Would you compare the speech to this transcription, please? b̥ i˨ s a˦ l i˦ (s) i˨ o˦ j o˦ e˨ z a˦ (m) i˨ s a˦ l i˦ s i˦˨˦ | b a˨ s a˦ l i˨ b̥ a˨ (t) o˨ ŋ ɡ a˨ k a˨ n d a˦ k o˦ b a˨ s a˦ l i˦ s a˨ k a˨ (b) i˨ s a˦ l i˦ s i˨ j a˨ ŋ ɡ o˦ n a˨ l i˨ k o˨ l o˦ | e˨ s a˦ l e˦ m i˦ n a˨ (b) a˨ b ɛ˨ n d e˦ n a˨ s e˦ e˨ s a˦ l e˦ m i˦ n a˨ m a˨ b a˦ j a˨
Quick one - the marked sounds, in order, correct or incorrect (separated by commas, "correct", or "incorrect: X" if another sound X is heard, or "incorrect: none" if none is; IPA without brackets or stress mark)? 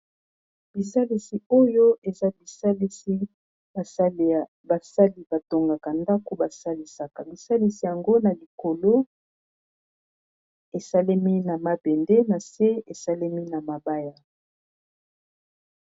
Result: correct, incorrect: b, correct, correct, incorrect: m